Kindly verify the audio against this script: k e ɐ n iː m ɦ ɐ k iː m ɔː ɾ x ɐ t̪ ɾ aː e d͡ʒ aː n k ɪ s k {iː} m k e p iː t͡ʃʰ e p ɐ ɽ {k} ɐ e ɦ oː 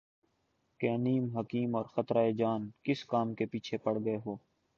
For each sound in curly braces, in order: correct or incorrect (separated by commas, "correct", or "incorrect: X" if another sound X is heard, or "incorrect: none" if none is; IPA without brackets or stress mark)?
incorrect: aː, incorrect: ɡ